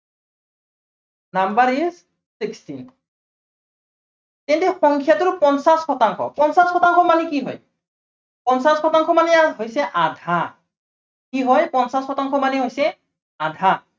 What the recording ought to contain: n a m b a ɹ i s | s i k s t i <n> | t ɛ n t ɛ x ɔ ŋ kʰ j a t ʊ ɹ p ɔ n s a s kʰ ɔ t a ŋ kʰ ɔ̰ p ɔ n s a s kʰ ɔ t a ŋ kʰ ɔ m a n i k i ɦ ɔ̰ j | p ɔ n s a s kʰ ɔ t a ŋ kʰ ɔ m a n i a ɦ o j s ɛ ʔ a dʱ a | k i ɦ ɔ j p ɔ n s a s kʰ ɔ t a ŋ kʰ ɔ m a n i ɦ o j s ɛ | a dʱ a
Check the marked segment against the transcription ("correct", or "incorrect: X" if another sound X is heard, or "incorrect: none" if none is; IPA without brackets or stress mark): correct